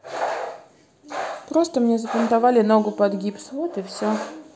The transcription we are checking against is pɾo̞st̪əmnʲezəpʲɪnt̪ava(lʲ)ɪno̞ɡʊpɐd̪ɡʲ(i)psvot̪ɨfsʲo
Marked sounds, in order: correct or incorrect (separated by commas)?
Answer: correct, correct